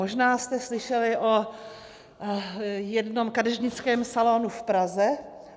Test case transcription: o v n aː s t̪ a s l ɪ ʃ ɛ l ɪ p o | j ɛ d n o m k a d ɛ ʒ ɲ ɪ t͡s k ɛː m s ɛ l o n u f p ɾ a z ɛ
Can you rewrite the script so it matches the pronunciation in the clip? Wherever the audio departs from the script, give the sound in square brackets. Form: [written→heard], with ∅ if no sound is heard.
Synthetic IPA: o [v→ʒ] n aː s t̪ [a→ɛ] s l ɪ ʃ ɛ l ɪ [p→ʔ] o | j ɛ d n o m k a d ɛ ʒ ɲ ɪ t͡s k ɛː m s [ɛ→a] l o n u f p ɾ a z ɛ